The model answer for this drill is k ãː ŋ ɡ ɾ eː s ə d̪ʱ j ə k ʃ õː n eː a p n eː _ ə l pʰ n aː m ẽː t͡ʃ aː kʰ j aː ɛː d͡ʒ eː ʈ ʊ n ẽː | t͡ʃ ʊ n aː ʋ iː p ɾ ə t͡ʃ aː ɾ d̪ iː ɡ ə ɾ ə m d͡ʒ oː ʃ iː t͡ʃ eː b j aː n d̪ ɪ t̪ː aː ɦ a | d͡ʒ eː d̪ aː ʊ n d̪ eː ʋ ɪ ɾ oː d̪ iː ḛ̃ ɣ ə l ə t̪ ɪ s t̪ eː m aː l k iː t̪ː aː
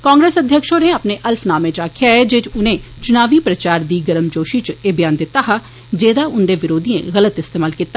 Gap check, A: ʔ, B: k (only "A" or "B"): A